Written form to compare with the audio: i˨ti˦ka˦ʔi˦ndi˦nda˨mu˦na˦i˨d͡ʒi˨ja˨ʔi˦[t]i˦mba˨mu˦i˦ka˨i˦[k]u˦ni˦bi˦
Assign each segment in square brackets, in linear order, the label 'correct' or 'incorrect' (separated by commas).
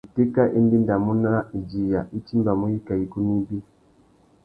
incorrect, correct